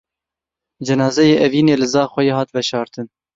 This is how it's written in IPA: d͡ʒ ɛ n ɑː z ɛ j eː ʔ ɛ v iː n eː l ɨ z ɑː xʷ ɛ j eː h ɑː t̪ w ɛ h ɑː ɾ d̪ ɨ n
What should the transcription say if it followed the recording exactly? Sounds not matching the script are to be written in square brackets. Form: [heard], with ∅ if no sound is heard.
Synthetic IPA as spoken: d͡ʒ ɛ n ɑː z ɛ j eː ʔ ɛ v iː n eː l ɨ z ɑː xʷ ɛ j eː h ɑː t̪ [v] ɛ [ʃ] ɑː ɾ [t̪] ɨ n